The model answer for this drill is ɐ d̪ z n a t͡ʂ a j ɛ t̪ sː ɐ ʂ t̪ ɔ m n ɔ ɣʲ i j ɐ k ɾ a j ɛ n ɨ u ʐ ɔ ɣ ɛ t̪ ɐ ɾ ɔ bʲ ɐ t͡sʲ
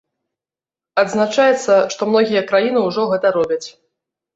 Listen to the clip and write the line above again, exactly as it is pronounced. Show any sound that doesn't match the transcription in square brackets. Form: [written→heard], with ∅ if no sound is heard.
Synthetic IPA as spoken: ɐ d̪ z n a t͡ʂ a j ɛ t̪ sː ɐ ʂ t̪ ɔ m n ɔ ɣʲ i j ɐ k ɾ a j [ɛ→i] n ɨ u ʐ ɔ ɣ ɛ t̪ ɐ ɾ ɔ bʲ ɐ t͡sʲ